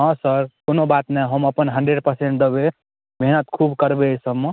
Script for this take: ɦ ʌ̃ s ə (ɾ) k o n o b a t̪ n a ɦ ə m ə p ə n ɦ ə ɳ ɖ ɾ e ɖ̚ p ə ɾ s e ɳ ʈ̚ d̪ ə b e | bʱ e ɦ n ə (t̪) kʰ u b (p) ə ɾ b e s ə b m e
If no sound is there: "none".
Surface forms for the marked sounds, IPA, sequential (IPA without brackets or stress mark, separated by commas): ɾ, t̪, k